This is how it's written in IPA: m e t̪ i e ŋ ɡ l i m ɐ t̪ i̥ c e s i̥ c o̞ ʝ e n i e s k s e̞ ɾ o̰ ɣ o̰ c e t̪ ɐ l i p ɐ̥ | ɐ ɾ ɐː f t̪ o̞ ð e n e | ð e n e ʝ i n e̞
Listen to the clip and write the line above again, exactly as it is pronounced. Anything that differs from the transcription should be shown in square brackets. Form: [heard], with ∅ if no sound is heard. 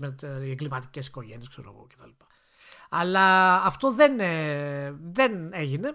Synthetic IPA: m e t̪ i e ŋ ɡ l i m ɐ t̪ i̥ c e s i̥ [k] o̞ ʝ e n i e s k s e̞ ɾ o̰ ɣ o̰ c e t̪ ɐ l i p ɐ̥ | ɐ [l] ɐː f t̪ o̞ ð e n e | ð e n e ʝ i n e̞